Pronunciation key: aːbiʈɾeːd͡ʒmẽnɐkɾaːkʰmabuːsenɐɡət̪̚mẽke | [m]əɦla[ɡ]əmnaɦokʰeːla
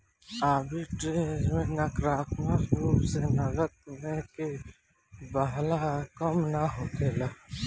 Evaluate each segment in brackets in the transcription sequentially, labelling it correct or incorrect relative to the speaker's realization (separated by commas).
incorrect, incorrect